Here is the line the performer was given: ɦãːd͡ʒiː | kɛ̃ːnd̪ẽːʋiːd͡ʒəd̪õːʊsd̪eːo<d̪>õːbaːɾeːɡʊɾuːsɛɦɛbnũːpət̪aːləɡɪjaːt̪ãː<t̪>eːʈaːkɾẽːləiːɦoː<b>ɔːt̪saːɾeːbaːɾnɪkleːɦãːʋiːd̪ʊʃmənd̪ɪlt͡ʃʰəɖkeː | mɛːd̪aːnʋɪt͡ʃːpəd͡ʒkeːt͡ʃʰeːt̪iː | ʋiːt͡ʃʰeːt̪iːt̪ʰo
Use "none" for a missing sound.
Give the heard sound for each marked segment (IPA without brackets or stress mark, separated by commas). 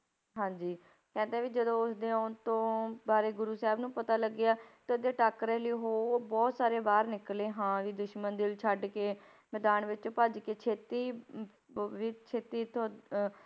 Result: t̪, d̪, b